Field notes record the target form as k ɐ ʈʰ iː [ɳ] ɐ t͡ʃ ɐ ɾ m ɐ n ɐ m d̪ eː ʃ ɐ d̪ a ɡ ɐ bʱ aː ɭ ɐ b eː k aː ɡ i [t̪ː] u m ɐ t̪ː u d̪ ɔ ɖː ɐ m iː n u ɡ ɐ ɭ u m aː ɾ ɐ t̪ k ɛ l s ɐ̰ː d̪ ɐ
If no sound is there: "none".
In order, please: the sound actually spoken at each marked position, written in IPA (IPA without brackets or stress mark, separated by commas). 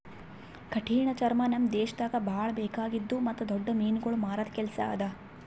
ɳ, d̪ː